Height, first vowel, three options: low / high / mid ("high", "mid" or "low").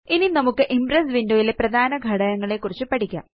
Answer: high